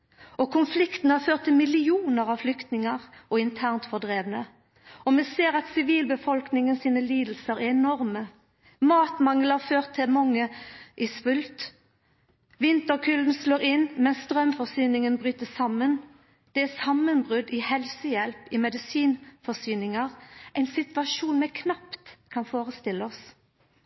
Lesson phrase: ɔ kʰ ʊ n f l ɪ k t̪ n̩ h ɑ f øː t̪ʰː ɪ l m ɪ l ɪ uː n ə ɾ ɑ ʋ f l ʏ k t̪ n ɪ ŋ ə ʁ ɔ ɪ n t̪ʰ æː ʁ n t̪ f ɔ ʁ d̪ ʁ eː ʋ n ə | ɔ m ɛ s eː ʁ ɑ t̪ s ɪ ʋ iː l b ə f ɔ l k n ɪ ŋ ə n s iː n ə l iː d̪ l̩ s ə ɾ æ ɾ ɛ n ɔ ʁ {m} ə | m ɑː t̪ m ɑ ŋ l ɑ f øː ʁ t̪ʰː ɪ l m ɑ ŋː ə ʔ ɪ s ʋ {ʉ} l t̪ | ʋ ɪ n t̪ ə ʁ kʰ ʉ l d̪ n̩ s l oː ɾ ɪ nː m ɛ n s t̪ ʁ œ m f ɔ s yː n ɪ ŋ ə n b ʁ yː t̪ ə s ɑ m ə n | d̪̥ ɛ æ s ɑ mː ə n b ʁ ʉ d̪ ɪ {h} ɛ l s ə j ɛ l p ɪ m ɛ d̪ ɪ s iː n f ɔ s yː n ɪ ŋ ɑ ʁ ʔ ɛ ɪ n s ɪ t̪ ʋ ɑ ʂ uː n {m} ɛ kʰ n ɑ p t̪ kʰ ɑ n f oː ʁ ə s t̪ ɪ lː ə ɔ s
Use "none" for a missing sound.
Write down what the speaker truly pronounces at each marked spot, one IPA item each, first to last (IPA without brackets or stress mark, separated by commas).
m, ʉ, h, m